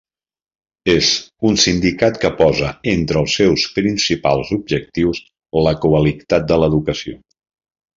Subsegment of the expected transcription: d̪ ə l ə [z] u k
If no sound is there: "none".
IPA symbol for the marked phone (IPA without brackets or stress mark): ð